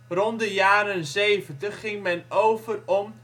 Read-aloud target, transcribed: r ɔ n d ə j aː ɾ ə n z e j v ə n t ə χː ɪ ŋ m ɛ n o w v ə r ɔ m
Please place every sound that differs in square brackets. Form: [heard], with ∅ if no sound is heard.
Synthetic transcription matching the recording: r ɔ n d ə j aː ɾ ə n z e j v ə n t ə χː ɪ ŋ m ɛ n o w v ə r ɔ m